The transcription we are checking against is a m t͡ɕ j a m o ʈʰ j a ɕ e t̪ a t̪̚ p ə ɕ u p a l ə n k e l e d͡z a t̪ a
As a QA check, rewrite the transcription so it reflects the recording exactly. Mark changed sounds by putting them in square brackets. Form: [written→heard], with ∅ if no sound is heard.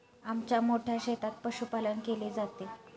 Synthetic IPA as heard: a m t͡ɕ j a m o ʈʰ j a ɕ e t̪ a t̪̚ p ə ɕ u p a l ə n k e l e d͡z a t̪ [a→e]